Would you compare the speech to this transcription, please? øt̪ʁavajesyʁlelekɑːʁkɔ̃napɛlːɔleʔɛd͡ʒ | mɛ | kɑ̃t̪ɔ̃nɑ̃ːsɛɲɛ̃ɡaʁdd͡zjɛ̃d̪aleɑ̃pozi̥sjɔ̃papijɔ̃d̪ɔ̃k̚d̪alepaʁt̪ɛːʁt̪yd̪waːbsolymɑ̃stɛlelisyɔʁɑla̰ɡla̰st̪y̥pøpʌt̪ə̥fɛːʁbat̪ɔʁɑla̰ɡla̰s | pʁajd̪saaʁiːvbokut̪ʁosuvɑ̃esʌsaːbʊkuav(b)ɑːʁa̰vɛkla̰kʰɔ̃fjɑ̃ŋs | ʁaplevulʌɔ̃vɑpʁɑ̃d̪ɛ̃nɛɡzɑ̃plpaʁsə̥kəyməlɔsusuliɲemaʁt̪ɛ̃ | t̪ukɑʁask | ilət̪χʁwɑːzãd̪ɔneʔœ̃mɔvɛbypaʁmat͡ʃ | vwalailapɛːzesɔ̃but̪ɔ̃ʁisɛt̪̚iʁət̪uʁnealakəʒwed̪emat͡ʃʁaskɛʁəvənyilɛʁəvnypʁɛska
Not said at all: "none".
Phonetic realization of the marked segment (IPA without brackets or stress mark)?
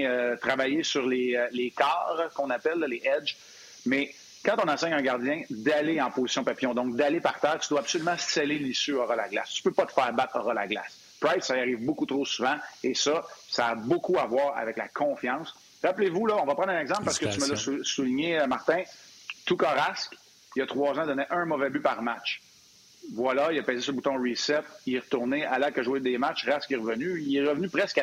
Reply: w